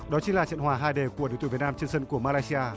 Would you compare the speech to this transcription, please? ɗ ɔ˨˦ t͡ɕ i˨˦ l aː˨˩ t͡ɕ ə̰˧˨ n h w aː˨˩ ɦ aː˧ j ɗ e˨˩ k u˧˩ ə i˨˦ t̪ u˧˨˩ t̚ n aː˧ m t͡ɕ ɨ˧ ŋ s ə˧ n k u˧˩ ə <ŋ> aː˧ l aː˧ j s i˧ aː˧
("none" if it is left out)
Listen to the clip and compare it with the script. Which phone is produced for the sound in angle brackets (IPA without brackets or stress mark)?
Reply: m